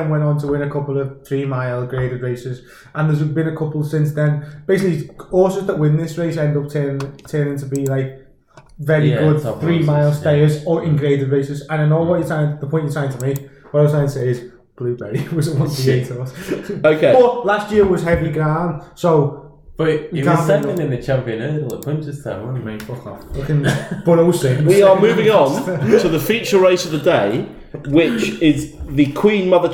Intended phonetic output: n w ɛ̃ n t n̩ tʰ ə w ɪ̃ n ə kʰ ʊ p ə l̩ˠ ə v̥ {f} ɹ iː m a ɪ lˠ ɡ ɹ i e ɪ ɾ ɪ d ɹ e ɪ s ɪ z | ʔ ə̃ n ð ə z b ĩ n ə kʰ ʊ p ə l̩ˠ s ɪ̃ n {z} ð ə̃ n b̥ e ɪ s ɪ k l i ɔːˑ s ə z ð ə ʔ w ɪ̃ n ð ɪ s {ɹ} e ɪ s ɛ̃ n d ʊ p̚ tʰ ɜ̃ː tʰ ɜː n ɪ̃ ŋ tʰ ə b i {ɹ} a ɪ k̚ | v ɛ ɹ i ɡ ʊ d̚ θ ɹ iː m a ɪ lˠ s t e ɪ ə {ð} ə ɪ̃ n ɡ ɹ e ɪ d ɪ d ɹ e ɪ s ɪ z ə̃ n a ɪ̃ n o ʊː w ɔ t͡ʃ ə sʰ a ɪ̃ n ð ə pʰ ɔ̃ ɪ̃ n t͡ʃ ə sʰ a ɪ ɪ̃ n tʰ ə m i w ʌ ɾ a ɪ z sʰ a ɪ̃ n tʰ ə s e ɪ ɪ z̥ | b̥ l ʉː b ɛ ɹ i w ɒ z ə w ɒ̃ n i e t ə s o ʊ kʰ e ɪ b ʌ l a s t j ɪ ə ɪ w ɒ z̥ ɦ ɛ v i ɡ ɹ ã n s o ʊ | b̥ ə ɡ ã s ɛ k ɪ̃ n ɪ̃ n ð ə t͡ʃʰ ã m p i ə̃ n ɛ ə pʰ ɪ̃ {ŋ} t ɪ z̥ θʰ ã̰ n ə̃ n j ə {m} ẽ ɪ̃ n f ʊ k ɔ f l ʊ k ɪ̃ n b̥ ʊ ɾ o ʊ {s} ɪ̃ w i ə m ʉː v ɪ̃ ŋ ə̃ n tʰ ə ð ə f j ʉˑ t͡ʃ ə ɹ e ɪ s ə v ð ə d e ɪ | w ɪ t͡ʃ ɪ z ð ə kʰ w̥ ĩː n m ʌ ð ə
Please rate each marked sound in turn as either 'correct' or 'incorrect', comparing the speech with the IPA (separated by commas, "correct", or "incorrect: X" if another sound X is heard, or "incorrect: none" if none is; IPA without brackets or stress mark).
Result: incorrect: θ, incorrect: s, correct, incorrect: l, incorrect: z, incorrect: n, correct, correct